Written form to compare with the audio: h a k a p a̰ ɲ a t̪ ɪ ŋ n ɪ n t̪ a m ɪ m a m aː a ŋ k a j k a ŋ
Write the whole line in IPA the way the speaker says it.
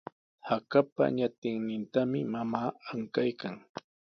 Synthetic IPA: h a k a p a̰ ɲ a t̪ ɪ ŋ n ɪ n t̪ a m ɪ m a m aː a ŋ k a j k a ŋ